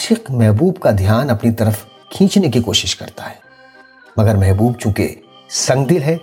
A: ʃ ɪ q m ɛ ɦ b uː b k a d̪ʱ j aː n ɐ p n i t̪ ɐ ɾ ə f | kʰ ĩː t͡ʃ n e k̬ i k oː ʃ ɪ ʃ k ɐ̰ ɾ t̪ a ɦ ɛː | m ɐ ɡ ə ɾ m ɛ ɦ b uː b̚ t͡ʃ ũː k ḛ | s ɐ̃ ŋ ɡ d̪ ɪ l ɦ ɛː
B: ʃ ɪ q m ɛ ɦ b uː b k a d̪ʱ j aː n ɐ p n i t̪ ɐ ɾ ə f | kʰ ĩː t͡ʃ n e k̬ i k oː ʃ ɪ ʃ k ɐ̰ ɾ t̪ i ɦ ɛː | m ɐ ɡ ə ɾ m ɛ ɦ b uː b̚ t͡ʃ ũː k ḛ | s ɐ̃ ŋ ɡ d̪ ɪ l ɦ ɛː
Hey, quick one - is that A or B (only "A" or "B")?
A